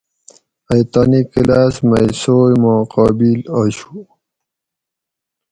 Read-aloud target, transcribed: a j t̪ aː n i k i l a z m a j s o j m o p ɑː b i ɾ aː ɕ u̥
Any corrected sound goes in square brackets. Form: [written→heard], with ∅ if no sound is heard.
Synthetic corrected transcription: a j t̪ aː n i k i l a [z→s] m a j s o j m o [p→q] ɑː b i [ɾ→l] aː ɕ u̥